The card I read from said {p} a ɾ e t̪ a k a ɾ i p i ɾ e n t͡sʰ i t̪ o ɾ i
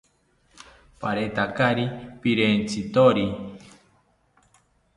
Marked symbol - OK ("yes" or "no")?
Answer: yes